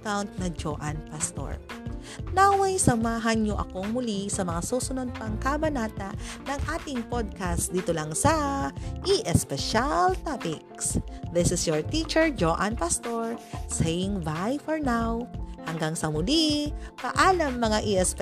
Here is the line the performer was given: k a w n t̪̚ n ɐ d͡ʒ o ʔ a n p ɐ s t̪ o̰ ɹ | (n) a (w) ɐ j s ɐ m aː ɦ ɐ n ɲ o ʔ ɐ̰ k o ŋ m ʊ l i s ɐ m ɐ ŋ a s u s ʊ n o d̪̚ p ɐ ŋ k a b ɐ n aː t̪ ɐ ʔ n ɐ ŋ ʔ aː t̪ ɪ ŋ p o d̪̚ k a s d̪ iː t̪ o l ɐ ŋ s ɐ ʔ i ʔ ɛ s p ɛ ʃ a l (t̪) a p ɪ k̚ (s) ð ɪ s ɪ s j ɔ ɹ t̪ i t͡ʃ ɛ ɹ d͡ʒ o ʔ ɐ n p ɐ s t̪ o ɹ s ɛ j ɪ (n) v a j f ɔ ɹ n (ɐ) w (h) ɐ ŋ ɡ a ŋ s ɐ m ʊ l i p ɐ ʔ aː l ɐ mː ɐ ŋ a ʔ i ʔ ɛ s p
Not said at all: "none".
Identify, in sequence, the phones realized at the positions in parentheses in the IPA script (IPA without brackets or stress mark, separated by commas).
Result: n, w, t̪, s, ŋ, a, h